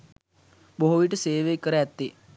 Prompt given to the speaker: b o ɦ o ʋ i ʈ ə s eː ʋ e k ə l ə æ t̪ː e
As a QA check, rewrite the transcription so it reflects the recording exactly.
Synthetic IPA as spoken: b o ɦ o ʋ i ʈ ə s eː ʋ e k ə ɾ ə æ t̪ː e